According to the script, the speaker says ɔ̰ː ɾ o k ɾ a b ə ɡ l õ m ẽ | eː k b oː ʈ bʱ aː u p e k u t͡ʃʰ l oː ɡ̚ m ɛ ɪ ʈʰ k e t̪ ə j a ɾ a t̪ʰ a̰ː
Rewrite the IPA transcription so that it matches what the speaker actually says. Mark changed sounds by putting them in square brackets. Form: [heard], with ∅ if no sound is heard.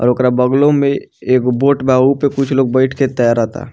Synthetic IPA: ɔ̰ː ɾ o k ɾ a b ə ɡ l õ m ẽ | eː k b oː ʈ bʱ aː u p e k [ʊ] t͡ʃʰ l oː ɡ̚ [b] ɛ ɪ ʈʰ k e t̪ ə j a ɾ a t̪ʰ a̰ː